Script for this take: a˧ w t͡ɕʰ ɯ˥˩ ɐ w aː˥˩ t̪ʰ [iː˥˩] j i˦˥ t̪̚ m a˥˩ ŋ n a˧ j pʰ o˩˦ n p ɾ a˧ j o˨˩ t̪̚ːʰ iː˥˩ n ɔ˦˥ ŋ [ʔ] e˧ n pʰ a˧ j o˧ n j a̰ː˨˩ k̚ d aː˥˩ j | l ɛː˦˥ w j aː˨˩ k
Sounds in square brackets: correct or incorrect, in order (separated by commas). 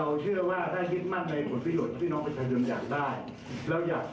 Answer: incorrect, incorrect